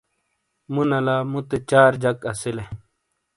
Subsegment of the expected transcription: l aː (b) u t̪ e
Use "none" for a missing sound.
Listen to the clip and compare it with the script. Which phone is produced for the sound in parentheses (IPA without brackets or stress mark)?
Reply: m